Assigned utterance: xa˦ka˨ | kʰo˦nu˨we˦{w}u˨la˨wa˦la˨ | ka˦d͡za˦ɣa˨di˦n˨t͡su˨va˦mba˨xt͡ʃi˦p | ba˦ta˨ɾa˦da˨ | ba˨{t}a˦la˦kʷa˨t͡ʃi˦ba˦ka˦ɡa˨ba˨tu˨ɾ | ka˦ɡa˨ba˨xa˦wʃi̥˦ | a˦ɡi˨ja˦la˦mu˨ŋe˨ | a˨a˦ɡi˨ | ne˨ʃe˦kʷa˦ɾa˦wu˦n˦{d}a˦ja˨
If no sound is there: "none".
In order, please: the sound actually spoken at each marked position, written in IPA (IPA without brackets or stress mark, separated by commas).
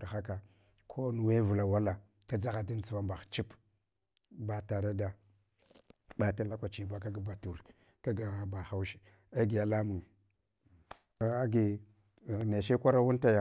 v, t, t